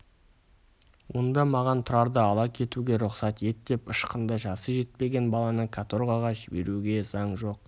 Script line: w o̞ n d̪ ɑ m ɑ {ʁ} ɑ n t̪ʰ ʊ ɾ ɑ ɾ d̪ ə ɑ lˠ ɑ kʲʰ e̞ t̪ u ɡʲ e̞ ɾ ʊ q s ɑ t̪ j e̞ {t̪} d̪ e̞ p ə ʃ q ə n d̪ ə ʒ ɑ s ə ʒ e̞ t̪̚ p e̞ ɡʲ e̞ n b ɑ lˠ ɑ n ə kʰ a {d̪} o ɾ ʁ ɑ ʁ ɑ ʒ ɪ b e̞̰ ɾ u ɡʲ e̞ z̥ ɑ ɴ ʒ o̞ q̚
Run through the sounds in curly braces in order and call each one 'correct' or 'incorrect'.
correct, correct, incorrect

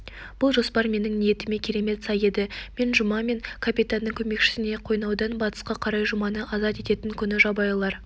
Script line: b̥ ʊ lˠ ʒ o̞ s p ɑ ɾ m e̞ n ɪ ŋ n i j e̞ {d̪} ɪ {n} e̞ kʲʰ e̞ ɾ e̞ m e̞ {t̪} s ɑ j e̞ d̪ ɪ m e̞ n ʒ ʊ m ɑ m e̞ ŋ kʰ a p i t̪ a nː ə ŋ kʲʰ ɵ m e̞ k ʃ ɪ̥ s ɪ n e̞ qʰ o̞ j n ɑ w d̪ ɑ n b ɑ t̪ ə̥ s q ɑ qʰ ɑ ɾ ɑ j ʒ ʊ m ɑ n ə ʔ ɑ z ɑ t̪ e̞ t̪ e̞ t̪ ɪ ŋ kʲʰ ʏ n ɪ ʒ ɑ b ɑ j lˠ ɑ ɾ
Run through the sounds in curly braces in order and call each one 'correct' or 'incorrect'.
incorrect, incorrect, correct

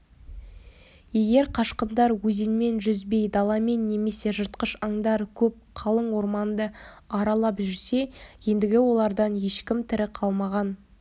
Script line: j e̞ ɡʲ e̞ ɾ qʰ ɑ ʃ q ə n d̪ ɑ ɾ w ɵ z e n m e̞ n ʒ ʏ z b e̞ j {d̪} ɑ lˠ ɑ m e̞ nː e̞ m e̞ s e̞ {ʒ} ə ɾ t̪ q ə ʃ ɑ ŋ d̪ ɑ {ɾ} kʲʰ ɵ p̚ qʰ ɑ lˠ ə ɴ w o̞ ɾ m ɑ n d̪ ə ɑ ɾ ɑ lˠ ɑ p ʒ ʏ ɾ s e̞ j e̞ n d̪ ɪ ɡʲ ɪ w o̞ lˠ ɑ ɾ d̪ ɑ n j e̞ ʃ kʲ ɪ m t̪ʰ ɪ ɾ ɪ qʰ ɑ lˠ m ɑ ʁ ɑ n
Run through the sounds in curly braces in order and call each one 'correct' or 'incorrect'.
correct, correct, correct

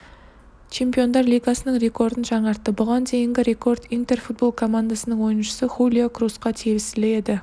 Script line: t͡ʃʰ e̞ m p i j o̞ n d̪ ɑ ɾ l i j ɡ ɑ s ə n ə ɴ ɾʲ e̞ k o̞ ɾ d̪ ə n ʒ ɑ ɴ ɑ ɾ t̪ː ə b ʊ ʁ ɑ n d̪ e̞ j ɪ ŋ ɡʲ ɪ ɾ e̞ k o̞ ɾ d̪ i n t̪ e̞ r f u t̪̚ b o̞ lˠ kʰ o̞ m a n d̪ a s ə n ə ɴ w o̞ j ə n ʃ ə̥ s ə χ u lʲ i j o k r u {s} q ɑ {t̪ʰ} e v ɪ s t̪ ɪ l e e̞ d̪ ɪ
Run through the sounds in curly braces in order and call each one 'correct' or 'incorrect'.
correct, correct

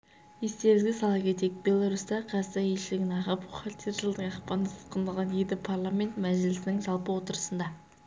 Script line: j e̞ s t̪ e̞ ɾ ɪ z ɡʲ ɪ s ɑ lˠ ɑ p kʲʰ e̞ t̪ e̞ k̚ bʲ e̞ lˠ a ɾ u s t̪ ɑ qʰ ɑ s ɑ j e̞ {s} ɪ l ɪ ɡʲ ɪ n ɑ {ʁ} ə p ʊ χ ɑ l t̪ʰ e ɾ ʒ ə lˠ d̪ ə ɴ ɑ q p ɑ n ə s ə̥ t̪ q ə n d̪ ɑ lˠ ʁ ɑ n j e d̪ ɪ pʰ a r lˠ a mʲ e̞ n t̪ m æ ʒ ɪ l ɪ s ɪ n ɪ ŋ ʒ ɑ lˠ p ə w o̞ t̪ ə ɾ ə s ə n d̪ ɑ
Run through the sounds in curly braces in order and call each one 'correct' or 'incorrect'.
incorrect, correct

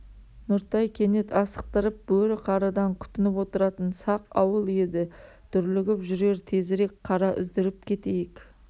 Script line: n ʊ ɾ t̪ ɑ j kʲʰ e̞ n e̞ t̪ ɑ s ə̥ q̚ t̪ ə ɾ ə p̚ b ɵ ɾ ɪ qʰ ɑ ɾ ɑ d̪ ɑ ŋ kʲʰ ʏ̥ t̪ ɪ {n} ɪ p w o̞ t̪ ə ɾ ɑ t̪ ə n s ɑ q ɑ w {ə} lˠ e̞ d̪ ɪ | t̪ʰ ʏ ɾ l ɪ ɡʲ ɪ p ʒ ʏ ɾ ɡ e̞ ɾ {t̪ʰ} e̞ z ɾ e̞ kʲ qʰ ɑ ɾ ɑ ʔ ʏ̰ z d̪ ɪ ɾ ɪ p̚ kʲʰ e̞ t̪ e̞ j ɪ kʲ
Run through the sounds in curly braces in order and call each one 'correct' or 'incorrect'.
correct, correct, correct

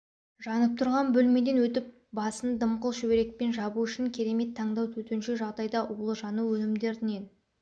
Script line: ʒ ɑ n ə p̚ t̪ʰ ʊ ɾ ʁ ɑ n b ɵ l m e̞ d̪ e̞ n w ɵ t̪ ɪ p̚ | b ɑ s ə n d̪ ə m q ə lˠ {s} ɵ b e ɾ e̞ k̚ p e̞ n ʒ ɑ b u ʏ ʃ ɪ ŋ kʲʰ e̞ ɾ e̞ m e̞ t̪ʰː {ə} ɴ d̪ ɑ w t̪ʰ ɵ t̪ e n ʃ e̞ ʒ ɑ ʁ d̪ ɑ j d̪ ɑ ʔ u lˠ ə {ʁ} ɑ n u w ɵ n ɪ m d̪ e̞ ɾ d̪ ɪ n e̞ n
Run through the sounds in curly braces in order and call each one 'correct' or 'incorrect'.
incorrect, incorrect, incorrect

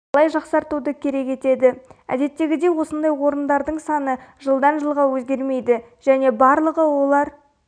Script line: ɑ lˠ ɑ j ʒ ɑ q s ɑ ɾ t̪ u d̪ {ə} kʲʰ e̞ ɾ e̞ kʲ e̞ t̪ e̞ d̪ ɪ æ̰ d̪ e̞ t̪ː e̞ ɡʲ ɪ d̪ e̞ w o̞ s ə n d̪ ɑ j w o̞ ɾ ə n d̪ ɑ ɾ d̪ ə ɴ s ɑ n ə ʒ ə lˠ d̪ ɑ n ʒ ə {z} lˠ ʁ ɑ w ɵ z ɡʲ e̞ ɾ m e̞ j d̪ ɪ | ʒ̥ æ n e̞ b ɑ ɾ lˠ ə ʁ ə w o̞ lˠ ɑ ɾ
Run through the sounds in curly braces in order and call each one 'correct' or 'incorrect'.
correct, incorrect

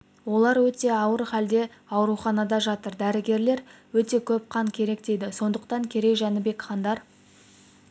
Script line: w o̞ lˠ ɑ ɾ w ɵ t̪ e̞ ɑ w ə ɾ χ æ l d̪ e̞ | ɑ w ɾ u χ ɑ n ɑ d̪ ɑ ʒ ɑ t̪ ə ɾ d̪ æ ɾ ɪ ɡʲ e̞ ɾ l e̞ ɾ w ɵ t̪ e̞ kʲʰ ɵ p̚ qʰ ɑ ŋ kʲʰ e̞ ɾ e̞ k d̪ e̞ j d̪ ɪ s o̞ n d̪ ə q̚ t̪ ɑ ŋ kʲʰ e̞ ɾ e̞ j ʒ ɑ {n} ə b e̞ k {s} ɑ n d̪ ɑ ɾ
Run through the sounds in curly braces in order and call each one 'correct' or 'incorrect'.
correct, incorrect

